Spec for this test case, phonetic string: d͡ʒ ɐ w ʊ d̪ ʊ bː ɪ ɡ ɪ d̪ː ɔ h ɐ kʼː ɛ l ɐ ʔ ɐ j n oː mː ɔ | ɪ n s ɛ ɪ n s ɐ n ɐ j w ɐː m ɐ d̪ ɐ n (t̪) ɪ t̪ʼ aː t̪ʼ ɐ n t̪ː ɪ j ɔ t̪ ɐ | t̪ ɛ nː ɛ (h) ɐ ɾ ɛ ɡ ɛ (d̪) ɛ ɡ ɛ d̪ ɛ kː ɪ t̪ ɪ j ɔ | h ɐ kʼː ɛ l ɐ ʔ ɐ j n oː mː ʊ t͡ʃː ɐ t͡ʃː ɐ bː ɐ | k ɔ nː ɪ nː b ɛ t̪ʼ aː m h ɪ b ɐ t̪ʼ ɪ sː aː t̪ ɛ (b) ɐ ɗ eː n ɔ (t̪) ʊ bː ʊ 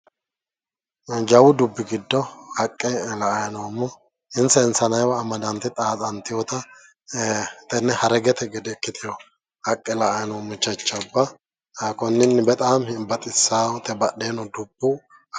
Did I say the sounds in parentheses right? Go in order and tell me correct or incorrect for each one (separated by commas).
correct, correct, incorrect, correct, incorrect